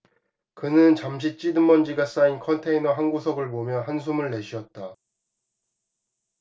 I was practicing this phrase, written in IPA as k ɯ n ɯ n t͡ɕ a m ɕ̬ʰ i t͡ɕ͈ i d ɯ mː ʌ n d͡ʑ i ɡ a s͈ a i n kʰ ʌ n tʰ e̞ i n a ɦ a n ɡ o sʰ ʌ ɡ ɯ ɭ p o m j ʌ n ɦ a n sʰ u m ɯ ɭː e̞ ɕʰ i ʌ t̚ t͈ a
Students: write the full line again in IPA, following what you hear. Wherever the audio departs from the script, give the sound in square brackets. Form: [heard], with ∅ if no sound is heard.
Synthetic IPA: k ɯ n ɯ n t͡ɕ a m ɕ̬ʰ i t͡ɕ͈ i d ɯ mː ʌ n d͡ʑ i ɡ a s͈ a i n kʰ ʌ n tʰ e̞ i n [ʌ] ɦ a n ɡ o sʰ ʌ ɡ ɯ ɭ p o m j ʌ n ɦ a n sʰ u m ɯ ɭː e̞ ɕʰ i ʌ t̚ t͈ a